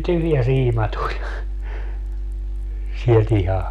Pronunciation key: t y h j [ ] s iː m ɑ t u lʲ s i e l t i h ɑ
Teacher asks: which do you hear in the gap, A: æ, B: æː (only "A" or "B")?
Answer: A